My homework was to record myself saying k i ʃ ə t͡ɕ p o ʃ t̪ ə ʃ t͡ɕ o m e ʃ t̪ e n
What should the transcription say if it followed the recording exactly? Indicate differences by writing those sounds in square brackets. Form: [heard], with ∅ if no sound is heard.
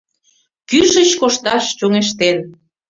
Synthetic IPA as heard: k [y] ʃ ə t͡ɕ [k] o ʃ t̪ [ɑ] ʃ t͡ɕ o [ŋ] e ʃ t̪ e n